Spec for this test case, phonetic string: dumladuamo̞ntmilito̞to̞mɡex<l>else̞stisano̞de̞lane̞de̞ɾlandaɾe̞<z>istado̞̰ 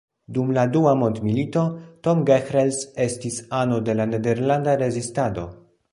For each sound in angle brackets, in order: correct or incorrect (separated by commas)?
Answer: incorrect, correct